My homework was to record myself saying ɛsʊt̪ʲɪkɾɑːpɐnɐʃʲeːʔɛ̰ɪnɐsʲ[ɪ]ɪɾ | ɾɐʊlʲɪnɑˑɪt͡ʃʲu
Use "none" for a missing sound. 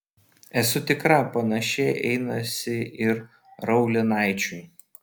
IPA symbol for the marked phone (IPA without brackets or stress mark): ɪ